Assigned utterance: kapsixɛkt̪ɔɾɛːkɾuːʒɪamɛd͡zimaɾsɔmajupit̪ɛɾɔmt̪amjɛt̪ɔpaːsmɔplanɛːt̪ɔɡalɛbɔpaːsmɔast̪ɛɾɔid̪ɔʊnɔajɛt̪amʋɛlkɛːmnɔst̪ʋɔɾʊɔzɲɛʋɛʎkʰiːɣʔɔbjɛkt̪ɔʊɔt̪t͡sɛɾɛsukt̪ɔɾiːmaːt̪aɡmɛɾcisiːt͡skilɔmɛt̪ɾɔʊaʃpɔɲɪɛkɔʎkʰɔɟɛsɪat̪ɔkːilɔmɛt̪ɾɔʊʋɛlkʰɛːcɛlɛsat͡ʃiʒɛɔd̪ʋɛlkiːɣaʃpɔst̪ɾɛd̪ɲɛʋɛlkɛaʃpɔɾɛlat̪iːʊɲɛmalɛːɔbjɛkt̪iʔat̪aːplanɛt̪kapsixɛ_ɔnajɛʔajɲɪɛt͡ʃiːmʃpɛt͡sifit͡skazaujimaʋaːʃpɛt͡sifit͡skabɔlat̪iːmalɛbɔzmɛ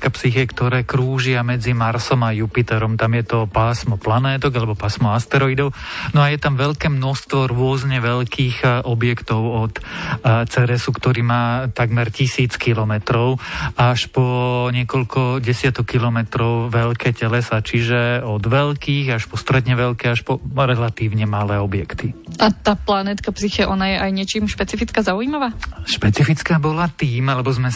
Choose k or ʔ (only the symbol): ʔ